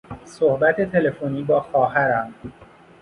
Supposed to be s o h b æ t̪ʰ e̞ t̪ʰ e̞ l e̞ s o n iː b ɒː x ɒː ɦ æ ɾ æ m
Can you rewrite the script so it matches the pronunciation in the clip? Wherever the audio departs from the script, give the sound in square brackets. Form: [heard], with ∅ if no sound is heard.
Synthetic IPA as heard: s o h b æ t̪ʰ e̞ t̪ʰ e̞ l e̞ [f] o n iː b ɒː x ɒː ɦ æ ɾ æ m